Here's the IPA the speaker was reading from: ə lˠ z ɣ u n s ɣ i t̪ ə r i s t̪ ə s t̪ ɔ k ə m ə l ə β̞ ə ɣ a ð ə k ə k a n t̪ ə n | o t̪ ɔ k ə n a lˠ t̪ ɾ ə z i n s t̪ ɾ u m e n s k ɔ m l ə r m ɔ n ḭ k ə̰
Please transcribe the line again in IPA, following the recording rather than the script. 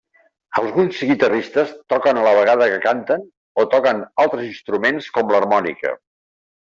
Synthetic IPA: ə lˠ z ɣ u n s ɣ i t̪ ə r i s t̪ ə s t̪ ɔ k ə n ə l ə β̞ ə ɣ a ð ə k ə k a n t̪ ə n | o t̪ ɔ k ə n a lˠ t̪ ɾ ə z i n s t̪ ɾ u m e n s k ɔ m l ə r m ɔ n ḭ k ə̰